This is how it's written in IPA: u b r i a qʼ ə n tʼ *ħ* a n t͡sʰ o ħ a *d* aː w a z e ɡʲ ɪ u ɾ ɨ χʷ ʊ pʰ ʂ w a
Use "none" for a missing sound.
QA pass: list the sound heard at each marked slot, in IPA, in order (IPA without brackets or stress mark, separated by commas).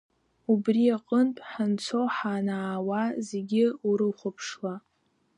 ħ, n